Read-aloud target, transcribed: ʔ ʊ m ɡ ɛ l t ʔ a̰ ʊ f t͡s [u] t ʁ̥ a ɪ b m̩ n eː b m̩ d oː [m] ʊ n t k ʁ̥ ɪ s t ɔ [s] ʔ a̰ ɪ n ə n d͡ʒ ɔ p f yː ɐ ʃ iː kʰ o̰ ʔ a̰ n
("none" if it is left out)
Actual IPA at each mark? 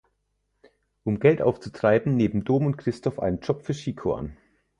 u, m, f

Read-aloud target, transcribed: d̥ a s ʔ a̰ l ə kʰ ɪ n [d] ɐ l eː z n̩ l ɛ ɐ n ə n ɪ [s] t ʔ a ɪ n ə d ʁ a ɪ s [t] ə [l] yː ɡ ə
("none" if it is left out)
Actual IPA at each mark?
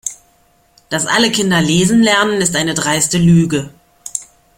d, s, t, l

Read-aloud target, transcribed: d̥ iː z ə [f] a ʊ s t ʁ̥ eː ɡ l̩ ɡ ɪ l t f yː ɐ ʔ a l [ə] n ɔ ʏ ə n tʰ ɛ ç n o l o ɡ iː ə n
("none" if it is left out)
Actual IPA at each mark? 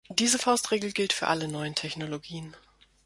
f, ə

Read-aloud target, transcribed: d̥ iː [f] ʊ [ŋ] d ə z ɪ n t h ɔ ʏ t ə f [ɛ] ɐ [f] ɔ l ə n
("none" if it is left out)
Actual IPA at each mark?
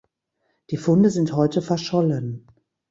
f, n, ɛ, ʃ

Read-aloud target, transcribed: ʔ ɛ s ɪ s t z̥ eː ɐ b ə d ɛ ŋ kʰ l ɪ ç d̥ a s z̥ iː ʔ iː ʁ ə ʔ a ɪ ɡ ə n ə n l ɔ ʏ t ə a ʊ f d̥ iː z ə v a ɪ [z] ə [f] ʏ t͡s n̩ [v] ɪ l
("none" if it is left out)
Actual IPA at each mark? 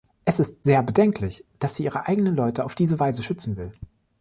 z, ʃ, v

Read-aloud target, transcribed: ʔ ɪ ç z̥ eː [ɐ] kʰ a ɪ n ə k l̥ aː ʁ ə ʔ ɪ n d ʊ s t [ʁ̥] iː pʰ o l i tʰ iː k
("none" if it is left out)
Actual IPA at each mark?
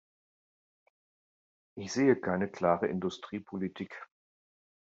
ə, ʁ̥

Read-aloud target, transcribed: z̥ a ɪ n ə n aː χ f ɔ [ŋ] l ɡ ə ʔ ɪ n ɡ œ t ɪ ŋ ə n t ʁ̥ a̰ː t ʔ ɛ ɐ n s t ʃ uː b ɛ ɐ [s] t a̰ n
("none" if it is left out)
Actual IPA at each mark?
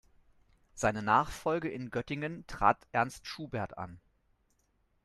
none, none

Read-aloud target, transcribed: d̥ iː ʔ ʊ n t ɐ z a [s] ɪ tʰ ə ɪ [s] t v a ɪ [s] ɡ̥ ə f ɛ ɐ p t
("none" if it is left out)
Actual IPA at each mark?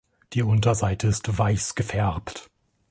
none, s, s

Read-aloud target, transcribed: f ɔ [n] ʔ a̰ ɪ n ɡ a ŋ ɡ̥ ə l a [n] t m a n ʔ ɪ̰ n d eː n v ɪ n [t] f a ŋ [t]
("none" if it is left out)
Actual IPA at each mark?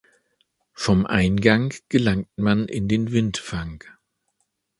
m, ŋ, t, k

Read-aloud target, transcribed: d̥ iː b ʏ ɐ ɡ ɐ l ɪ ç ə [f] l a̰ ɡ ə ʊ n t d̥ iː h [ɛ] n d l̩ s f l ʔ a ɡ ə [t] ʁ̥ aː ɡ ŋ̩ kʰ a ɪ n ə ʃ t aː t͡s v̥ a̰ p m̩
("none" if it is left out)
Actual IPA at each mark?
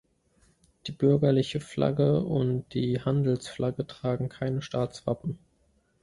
f, a, t

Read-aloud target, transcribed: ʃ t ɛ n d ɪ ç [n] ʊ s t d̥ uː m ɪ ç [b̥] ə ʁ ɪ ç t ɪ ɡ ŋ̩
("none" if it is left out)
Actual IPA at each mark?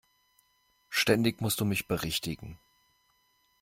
m, b̥

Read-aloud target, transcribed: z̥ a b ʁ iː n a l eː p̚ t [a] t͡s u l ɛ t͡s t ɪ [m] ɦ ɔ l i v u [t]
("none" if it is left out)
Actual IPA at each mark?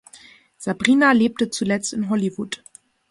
ə, n, t

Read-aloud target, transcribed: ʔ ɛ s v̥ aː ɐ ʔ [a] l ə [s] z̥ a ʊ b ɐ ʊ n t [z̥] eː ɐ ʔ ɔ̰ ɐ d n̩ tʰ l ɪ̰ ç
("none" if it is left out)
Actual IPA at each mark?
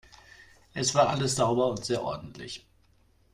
a, s, z̥

